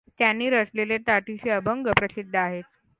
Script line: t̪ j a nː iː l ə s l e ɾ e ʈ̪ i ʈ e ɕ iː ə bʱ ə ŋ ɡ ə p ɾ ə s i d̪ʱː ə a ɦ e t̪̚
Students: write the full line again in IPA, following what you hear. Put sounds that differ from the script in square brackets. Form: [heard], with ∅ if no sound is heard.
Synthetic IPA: t̪ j a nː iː [ɾ] ə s l e [l] e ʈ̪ [a] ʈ [i] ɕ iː ə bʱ ə ŋ ɡ ə p ɾ ə s i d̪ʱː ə a ɦ e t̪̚